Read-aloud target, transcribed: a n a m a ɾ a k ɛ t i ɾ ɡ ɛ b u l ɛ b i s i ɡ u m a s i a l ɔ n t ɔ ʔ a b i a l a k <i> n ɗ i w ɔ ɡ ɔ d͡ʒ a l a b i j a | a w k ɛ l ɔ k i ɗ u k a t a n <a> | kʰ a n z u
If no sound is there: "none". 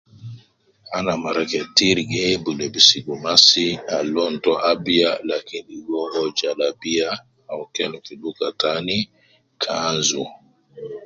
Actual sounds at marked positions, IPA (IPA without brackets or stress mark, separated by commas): i, i